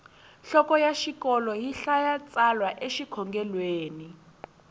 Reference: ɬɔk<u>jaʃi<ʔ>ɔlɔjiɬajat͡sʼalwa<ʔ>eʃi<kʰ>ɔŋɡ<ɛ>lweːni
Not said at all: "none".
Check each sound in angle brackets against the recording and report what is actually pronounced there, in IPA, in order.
ɔ, k, ʔ, kʰ, ɛ

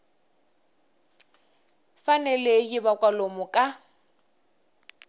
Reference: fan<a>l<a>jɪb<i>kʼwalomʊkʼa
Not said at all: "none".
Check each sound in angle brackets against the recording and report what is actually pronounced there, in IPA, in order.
ɛ, e, a

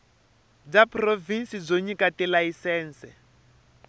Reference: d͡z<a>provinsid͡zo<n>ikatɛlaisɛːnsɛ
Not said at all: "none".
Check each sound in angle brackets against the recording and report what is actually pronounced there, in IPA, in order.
a, ɲ

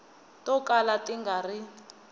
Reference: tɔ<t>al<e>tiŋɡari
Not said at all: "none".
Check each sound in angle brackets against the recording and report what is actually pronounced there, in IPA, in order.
k, a

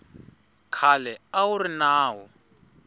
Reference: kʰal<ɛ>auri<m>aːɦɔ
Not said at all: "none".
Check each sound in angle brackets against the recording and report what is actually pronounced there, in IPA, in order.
ɛ, n

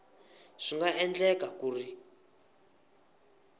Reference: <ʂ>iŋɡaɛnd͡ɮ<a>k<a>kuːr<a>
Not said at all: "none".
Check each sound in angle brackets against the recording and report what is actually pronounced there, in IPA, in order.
ʂ, ɛ, a, i

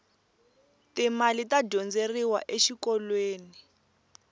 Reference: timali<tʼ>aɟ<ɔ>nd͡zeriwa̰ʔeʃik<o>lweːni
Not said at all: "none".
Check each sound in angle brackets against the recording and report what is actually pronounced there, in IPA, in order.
t, ɔ, ɔ

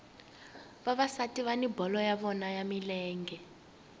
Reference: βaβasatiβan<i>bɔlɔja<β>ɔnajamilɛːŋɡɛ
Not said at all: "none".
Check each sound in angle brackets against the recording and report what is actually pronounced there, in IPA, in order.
i, β

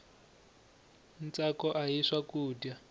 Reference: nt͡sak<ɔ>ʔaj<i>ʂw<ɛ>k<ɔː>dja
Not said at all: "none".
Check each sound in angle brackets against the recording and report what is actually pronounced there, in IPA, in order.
ɔ, i, a, uː

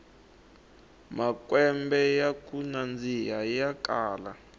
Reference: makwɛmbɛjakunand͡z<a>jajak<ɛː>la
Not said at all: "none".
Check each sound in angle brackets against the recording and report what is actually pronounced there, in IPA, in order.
i, aː

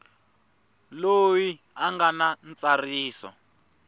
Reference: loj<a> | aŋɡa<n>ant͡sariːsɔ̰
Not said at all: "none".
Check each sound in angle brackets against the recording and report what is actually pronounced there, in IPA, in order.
i, n

